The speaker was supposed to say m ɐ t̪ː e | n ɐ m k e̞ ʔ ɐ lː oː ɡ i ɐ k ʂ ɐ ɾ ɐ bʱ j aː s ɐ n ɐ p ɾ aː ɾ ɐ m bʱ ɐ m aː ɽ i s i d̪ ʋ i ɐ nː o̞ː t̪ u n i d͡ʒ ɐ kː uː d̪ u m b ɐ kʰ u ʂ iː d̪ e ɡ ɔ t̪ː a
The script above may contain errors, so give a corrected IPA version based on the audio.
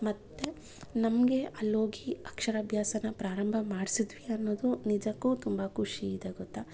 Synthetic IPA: m ɐ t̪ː e | n ɐ m ɡ e̞ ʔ ɐ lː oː ɡ i ɐ k ʂ ɐ ɾ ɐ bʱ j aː s ɐ n ɐ p ɾ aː ɾ ɐ m bʱ ɐ m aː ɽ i s i d̪ ʋ i ɐ nː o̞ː d̪ u n i d͡ʒ ɐ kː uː t̪ u m b ɐ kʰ u ʂ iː d̪ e ɡ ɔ t̪ː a